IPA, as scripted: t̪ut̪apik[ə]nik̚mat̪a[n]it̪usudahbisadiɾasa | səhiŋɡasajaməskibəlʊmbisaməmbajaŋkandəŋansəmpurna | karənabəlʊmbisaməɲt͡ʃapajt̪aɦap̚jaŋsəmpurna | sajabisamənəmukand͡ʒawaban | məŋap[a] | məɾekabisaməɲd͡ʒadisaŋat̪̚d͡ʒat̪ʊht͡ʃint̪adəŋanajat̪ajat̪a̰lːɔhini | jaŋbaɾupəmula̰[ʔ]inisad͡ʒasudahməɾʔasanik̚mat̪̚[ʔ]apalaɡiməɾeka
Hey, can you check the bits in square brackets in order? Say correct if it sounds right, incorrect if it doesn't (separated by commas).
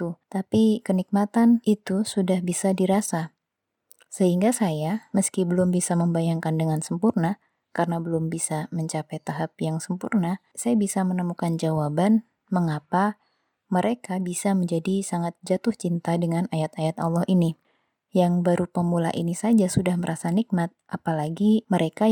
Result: correct, correct, correct, correct, correct